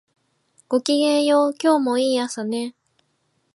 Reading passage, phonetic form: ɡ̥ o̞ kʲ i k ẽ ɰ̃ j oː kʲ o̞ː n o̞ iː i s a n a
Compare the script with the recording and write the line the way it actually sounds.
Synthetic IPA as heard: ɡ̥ o̞ kʲ i ɡ ẽ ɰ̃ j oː kʲ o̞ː m o̞ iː a s a n e